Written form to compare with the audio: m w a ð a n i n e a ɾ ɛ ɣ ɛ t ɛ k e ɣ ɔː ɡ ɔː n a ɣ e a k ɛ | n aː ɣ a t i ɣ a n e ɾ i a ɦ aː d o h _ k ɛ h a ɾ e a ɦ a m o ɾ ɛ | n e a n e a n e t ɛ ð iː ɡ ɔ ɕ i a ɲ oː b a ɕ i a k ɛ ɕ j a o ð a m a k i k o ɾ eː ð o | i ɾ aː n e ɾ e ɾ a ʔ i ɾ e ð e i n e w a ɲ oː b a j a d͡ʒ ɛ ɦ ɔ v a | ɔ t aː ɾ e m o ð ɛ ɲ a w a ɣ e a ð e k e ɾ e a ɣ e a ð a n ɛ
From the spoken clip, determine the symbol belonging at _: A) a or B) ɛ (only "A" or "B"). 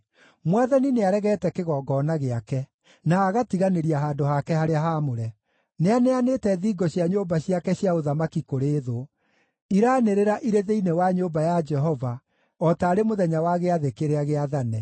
A